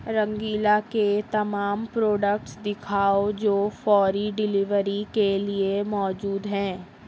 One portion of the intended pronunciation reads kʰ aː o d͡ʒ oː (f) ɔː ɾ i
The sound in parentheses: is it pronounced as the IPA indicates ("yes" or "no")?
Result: yes